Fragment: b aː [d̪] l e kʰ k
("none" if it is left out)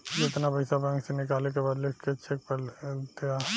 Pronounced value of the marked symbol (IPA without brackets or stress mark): d̪